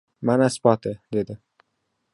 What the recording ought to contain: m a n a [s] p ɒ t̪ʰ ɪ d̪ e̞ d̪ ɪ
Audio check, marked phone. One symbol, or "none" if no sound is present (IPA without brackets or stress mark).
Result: s